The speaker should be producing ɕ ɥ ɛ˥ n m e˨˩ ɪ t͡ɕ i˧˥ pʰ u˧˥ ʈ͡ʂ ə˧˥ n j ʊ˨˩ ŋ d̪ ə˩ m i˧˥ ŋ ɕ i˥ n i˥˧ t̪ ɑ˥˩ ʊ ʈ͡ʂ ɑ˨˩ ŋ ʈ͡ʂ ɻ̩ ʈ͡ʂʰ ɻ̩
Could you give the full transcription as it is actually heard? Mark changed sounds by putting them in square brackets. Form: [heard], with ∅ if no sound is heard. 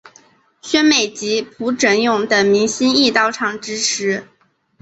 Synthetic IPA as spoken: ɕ ɥ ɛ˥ n m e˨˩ ɪ t͡ɕ i˧˥ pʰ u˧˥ ʈ͡ʂ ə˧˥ n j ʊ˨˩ ŋ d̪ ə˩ m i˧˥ ŋ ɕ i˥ n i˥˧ t̪ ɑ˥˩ ʊ [ʈ͡ʂʰ] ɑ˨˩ ŋ ʈ͡ʂ ɻ̩ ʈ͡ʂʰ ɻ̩